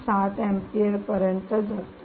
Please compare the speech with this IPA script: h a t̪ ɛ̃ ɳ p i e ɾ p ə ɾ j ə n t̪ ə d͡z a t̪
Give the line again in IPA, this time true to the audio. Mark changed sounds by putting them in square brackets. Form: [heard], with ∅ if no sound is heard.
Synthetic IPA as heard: [s] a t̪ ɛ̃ [m] p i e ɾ p ə ɾ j ə n t̪ ə d͡z a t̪